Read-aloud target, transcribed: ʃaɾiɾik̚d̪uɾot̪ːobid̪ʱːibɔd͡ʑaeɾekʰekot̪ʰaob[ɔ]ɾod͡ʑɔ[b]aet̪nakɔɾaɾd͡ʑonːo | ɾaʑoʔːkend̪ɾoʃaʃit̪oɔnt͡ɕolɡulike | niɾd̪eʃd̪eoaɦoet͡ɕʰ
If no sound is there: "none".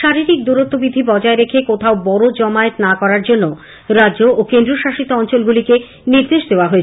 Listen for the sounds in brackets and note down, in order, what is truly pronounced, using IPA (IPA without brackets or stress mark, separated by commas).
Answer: ɔ, m